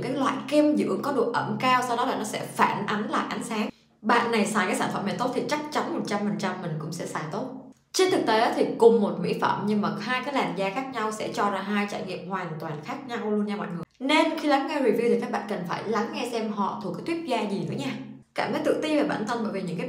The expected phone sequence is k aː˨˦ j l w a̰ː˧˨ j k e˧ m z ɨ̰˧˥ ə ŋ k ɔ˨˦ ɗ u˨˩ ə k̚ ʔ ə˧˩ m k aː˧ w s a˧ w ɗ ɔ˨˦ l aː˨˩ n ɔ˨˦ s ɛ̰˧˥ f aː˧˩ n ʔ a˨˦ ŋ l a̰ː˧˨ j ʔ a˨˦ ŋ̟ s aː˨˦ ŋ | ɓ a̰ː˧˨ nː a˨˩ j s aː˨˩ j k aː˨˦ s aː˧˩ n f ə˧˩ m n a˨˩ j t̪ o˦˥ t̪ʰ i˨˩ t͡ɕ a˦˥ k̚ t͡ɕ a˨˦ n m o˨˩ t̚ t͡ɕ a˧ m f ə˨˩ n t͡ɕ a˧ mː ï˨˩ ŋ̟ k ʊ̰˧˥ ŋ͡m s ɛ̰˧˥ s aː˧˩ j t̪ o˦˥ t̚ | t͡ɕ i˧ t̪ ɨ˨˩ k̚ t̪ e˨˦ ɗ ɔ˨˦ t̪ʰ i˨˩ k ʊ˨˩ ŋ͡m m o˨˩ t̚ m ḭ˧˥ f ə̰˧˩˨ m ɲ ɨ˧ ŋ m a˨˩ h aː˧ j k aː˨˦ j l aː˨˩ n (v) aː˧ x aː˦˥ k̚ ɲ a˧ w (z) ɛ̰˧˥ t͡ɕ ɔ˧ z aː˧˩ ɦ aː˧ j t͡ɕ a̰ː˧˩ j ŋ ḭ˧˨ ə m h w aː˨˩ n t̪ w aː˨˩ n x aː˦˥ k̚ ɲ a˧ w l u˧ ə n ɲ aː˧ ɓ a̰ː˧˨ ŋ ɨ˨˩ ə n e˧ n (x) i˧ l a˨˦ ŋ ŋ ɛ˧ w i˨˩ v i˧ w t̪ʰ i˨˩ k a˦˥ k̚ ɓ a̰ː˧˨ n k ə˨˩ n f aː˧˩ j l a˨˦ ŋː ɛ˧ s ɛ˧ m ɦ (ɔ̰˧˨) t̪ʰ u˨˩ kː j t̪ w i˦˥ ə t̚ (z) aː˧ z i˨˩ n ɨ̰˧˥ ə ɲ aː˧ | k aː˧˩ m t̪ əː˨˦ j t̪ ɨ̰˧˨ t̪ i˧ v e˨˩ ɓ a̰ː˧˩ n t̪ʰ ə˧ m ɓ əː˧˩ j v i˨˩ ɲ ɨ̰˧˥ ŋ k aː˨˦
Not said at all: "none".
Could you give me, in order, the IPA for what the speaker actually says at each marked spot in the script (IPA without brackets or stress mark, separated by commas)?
z, s, x, ɔ̰˧˨, z